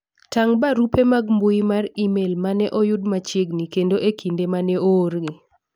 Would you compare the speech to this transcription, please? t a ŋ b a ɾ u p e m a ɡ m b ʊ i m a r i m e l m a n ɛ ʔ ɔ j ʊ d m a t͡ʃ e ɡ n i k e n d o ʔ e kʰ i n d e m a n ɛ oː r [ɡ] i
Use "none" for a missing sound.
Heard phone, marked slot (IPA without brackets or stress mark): ɡ